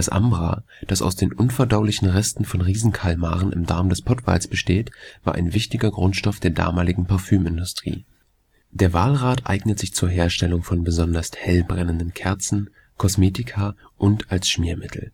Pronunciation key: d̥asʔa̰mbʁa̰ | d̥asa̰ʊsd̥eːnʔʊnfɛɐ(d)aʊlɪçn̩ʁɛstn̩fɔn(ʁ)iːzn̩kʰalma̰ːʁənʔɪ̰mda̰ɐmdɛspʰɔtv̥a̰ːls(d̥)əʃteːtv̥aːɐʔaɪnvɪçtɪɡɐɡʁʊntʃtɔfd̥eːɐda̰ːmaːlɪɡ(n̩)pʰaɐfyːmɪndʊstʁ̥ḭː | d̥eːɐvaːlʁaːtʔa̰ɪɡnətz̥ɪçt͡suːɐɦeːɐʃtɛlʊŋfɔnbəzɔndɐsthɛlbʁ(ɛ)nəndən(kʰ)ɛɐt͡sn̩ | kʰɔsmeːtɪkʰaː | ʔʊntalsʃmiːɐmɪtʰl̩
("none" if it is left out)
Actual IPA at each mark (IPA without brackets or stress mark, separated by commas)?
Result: d, ʁ, b̥, ŋ̩, ɛ, kʰ